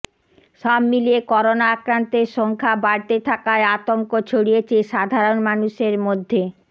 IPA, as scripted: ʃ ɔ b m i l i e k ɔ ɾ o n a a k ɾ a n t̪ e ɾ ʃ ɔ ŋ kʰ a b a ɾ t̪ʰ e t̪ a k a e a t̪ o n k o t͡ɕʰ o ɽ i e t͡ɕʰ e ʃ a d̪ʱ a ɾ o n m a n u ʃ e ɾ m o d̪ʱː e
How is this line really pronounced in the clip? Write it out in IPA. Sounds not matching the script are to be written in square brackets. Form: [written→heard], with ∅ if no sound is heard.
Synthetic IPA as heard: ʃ ɔ b m i l i e k ɔ ɾ o n a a k ɾ a n t̪ e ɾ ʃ ɔ ŋ kʰ a b a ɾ [t̪ʰ→t̪] e [t̪→t̪ʰ] a k a e a t̪ o [n→ŋ] k o t͡ɕʰ o ɽ i e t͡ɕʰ e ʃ a d̪ʱ a ɾ o n m a n u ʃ e ɾ m o d̪ʱː e